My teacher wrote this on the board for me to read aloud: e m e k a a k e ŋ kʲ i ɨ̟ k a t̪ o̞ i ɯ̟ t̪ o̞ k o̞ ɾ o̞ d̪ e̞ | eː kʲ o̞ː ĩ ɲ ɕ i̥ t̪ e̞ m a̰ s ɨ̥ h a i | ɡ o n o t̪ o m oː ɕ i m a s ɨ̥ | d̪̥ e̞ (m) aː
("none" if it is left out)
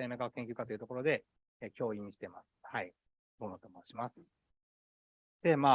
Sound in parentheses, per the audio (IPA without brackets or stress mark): m